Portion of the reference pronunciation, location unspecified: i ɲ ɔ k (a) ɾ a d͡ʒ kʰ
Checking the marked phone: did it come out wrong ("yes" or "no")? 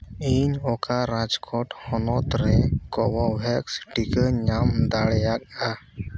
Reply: no